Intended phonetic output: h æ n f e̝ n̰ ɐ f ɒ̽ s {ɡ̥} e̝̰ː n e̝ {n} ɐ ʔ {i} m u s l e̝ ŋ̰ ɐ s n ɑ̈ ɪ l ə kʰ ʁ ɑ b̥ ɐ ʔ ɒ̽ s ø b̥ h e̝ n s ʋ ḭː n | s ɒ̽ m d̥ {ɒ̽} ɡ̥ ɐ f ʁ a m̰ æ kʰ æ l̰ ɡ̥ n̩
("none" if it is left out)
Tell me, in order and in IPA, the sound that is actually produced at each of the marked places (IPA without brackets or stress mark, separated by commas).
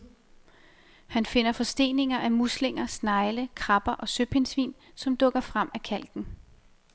d̥, ŋ, æ, ɔ̽